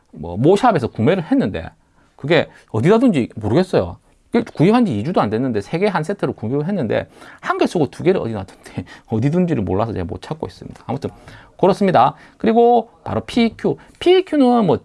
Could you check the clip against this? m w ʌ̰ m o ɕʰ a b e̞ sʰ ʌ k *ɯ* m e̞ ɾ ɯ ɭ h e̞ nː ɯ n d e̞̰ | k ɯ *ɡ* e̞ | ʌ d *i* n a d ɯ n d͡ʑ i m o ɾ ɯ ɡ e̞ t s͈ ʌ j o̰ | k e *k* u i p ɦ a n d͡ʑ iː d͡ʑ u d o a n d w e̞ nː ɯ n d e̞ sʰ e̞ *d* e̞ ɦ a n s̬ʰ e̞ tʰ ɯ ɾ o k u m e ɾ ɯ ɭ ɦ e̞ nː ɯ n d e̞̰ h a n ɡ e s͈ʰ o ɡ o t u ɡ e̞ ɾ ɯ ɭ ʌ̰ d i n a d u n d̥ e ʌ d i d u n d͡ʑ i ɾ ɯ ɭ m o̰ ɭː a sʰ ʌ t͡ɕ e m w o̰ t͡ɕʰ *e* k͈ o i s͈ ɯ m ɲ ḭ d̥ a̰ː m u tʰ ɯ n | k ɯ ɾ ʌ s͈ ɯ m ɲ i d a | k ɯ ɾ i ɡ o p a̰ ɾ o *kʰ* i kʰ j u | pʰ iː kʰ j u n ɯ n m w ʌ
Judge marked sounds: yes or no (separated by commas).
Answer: no, yes, yes, yes, no, no, no